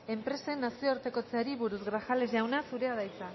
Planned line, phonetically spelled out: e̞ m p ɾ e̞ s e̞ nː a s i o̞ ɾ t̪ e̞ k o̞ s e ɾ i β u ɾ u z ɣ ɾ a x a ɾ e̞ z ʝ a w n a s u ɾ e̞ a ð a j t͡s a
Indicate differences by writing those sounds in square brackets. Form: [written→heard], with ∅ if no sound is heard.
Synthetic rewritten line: e̞ m p ɾ e̞ s e̞ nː a s i o̞ ɾ t̪ e̞ k o̞ [s→t͡s] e ɾ i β u ɾ u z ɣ ɾ a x a [ɾ→l] e̞ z ʝ a w n a s u ɾ e̞ a ð a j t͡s a